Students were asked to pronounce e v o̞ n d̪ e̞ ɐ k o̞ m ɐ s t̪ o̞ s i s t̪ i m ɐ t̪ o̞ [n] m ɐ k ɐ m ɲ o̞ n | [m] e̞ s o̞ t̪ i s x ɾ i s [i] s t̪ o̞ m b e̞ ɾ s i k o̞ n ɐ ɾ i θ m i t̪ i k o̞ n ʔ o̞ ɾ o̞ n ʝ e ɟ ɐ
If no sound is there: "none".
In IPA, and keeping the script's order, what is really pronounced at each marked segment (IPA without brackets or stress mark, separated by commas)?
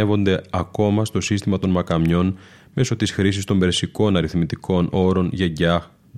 n, m, i